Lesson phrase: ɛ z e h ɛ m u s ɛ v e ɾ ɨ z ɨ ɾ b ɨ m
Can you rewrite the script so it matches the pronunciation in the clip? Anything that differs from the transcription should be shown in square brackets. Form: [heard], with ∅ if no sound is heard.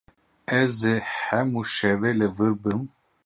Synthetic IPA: ɛ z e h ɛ m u [ʃ] ɛ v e [l] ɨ [v] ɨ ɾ b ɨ m